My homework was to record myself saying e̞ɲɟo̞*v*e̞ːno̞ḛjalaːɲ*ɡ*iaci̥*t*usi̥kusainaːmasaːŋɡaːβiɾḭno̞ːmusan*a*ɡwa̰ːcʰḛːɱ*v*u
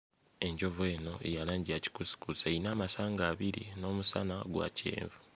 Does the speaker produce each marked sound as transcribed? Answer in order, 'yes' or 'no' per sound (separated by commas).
yes, no, no, yes, yes